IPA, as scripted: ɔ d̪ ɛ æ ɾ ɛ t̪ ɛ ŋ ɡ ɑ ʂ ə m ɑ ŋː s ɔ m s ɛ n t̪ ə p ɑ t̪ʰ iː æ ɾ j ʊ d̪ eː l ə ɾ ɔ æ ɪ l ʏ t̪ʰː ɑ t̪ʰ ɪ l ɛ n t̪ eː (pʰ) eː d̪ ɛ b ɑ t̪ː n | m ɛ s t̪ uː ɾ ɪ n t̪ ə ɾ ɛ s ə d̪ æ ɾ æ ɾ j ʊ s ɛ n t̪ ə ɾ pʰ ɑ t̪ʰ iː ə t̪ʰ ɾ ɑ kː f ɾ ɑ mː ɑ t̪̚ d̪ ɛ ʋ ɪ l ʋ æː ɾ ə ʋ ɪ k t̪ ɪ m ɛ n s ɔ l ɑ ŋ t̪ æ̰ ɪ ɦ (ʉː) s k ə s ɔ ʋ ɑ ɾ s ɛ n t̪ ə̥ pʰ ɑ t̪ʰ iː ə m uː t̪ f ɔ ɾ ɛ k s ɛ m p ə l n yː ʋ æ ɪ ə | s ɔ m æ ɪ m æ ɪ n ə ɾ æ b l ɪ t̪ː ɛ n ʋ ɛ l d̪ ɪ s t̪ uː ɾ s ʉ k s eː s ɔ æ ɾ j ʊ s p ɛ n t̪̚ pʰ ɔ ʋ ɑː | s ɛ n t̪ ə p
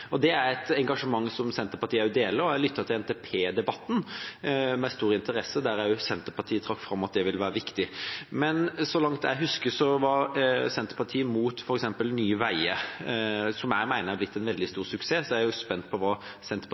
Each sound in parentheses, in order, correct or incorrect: correct, incorrect

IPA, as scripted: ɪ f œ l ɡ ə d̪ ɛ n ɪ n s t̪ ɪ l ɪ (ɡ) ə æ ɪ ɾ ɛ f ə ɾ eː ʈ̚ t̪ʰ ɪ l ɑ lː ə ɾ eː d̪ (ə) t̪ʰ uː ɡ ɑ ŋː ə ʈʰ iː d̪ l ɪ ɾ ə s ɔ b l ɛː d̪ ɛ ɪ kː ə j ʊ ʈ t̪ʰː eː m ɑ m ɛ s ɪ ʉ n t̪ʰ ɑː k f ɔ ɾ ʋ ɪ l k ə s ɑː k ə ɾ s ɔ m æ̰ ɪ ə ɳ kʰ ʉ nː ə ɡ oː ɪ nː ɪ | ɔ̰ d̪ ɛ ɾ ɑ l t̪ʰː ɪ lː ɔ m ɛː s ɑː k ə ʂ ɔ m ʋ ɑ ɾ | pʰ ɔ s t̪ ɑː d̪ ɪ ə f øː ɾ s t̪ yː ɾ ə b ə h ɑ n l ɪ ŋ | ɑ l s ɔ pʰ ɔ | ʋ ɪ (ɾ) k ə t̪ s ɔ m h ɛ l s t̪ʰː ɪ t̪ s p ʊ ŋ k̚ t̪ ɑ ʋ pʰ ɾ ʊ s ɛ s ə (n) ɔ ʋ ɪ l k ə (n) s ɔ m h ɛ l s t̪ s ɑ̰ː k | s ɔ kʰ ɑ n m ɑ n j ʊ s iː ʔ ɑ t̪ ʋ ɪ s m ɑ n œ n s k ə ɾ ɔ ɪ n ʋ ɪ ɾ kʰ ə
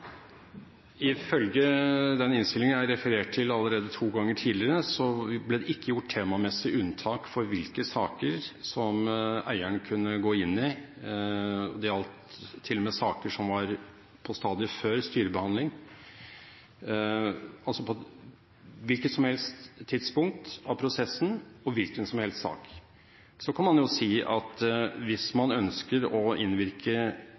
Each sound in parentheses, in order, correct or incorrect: incorrect, correct, incorrect, correct, correct

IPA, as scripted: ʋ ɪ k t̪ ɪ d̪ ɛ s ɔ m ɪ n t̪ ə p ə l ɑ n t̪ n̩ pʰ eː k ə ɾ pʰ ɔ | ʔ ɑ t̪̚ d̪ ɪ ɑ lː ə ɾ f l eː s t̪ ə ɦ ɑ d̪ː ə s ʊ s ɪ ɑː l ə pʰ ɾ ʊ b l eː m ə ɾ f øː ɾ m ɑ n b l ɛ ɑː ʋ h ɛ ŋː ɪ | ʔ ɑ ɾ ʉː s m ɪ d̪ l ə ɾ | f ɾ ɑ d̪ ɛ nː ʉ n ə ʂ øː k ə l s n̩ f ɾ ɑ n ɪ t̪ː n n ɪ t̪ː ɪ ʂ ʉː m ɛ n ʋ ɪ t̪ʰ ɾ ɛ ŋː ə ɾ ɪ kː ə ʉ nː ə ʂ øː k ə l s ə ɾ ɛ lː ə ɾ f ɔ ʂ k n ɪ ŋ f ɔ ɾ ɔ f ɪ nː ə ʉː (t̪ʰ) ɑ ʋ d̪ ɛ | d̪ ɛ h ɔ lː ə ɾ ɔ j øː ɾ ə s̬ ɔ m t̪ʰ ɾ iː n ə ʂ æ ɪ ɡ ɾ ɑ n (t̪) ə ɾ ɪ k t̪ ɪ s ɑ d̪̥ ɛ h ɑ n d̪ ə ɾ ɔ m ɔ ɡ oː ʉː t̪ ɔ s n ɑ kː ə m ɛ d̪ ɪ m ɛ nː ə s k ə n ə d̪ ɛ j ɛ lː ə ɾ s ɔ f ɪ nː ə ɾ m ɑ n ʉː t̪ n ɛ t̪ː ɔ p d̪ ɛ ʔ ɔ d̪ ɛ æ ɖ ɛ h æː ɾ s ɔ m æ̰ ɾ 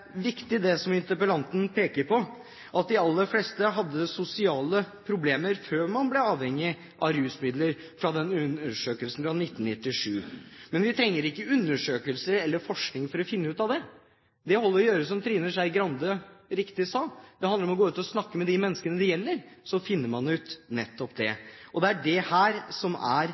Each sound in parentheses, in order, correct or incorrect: incorrect, incorrect

